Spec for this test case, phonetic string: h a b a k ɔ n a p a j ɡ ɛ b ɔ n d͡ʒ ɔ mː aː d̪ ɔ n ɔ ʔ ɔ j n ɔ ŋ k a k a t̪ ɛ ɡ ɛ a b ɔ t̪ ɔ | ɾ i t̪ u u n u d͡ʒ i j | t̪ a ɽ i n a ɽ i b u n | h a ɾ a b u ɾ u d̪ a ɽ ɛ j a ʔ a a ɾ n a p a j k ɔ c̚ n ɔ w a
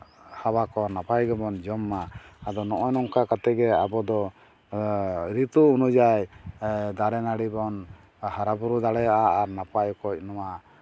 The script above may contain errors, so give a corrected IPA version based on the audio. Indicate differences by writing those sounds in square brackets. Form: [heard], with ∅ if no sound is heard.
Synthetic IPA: h a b a k ɔ n a p a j ɡ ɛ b ɔ n d͡ʒ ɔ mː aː d̪ ɔ n ɔ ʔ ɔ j n ɔ ŋ k a k a t̪ ɛ ɡ ɛ a b ɔ [d̪] ɔ | ɾ i t̪ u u n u d͡ʒ [a] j | [d̪] a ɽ [ɛ] n a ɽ i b [ɔ] n | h a ɾ a b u ɾ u d̪ a ɽ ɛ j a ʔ a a ɾ n a p a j k ɔ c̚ n ɔ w a